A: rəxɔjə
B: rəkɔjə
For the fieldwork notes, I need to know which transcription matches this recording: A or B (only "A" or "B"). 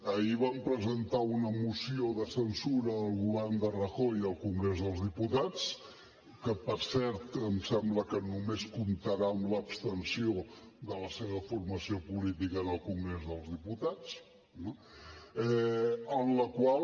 A